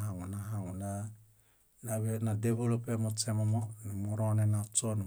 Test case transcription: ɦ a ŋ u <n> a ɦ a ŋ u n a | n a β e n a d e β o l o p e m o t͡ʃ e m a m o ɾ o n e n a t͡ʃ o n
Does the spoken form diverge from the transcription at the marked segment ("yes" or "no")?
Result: no